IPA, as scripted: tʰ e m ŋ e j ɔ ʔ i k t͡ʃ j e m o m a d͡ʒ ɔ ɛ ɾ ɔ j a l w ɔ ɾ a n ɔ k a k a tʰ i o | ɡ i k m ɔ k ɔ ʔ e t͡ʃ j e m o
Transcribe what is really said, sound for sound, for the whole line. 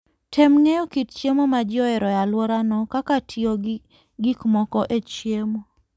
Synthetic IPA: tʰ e m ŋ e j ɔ k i t t͡ʃ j e m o m a d͡ʒ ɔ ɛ ɾ ɔ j a l w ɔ ɾ a n ɔ k a k a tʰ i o | ɡ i k m ɔ k ɔ ʔ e t͡ʃ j e m o